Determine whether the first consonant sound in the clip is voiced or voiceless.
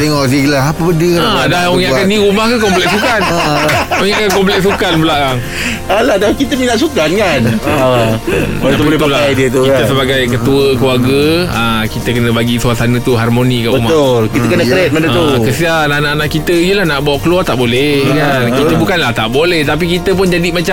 voiceless